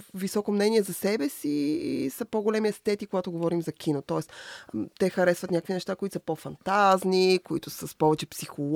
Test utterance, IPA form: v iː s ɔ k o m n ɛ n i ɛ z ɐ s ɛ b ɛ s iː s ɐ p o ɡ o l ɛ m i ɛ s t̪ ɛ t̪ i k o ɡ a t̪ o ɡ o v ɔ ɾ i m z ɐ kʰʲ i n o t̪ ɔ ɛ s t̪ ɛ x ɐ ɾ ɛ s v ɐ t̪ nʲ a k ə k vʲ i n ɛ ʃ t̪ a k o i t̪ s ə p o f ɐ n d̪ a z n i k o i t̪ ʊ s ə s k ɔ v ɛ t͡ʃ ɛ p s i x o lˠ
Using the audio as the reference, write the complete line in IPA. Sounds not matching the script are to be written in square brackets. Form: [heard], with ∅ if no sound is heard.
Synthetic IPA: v [i] s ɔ k o m n ɛ n i ɛ z ɐ s ɛ b ɛ s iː s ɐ p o ɡ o l ɛ m i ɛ s t̪ ɛ t̪ i k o ɡ a t̪ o ɡ o v ɔ ɾ i m z ɐ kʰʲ i n o t̪ ɔ ɛ s t̪ ɛ x ɐ ɾ ɛ s v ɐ t̪ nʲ a k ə k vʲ i n ɛ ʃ t̪ a k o i t̪ s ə p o f ɐ n [t̪] a z n i k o i t̪ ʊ s ə s [p] ɔ v ɛ t͡ʃ ɛ p s i x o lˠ